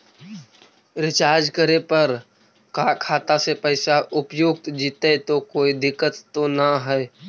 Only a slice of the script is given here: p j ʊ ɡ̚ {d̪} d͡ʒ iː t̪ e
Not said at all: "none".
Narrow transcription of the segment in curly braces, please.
t̪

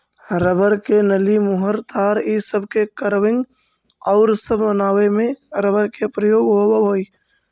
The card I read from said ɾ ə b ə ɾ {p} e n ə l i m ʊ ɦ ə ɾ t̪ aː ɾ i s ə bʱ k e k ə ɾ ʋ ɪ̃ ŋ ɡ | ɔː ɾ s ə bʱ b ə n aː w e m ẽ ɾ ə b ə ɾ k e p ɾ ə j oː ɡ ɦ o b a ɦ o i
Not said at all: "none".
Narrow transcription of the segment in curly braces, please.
k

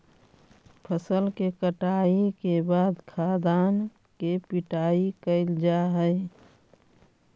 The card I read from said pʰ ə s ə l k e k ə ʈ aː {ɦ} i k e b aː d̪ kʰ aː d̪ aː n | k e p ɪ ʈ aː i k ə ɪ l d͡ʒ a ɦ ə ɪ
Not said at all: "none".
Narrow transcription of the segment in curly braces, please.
none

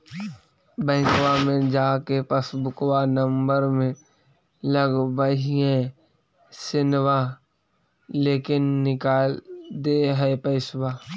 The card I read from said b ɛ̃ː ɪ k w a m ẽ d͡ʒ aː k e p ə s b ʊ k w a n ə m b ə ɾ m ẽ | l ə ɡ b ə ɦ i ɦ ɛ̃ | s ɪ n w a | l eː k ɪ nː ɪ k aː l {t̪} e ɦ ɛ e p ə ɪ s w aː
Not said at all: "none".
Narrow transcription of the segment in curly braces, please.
d̪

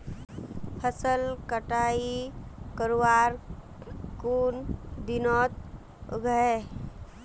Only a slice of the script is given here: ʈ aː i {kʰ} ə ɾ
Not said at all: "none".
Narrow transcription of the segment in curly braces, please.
k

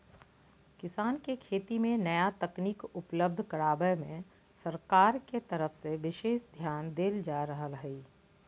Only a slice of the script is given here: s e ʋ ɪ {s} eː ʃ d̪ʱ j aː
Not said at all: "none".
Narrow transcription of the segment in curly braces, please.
ʃ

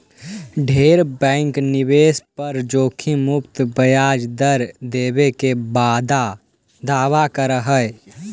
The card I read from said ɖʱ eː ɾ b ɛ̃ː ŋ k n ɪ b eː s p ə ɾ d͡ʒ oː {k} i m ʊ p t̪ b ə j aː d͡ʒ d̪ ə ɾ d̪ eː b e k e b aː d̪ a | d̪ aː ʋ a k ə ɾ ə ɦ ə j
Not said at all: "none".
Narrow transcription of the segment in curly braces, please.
kʰ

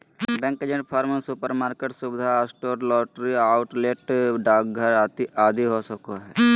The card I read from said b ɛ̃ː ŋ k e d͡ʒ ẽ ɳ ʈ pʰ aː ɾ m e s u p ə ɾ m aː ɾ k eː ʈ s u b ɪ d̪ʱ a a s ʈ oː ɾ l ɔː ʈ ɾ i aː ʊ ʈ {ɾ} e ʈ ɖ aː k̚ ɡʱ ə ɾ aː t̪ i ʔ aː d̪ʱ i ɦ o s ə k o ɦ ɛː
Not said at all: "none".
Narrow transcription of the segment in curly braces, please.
l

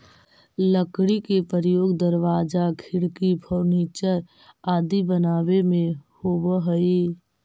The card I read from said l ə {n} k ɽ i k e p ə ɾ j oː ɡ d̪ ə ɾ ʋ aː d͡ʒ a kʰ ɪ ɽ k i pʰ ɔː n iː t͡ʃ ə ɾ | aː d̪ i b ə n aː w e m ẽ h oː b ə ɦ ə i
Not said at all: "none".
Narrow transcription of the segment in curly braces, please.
none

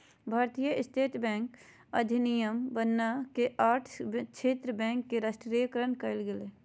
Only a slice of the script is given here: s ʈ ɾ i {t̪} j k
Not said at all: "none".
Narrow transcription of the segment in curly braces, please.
none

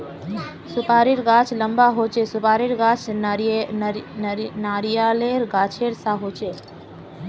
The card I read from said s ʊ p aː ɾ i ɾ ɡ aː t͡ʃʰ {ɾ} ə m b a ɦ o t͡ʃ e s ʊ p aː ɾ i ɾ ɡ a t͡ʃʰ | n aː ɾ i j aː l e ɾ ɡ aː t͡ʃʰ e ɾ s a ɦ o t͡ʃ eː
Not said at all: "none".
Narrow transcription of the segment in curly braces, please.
l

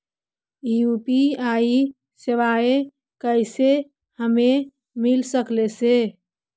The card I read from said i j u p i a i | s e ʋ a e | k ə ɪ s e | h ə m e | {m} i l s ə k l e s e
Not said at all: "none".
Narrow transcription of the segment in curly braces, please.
m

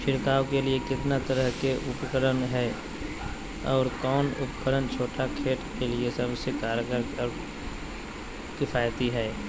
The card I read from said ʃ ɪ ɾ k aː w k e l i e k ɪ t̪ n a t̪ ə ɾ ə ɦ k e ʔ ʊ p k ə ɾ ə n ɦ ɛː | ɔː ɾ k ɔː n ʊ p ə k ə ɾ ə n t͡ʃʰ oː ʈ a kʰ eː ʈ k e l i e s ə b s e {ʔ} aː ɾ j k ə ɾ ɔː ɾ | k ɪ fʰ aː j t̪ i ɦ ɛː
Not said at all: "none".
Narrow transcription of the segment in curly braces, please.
k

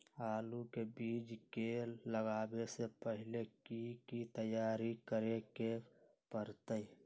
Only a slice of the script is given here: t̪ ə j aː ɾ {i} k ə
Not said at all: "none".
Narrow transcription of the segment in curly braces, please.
i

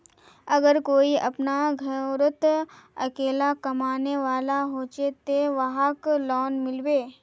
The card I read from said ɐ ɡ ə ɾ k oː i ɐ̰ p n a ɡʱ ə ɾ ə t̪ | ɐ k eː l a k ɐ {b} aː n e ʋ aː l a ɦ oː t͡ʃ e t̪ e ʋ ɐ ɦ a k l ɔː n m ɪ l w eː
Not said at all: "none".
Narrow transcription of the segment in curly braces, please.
m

